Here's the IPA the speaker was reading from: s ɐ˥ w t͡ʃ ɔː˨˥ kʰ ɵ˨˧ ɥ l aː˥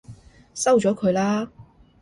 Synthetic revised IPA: s ɐ˥ w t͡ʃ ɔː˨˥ kʰ ɵ˨˧ ɥ l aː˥